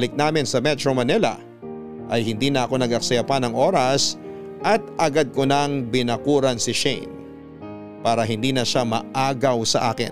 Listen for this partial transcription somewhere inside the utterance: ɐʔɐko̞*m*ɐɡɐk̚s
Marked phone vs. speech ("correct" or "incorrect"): incorrect